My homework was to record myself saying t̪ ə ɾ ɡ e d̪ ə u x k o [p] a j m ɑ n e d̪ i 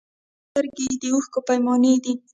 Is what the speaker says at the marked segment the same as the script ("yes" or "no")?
yes